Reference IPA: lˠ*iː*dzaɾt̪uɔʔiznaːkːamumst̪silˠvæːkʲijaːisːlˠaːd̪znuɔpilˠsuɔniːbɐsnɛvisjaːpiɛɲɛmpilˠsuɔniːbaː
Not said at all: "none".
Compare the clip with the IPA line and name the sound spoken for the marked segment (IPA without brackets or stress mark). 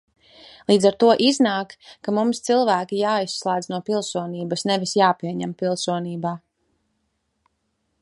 iː